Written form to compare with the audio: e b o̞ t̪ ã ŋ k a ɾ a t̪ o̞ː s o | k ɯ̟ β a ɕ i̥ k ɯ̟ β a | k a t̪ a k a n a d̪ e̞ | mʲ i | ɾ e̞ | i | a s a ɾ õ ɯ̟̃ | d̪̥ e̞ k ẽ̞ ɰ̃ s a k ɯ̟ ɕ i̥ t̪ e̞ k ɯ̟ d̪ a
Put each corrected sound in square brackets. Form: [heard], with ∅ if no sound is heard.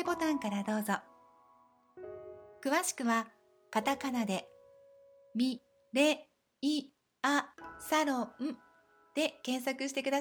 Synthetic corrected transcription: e b o̞ t̪ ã ŋ k a ɾ a [d̪] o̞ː [z] o | k ɯ̟ β a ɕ i̥ k ɯ̟ β a | k a t̪ a k a n a d̪ e̞ | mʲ i | ɾ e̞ | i | a s a ɾ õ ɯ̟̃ | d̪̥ e̞ k ẽ̞ ɰ̃ s a k ɯ̟ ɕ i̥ t̪ e̞ k ɯ̟ d̪ a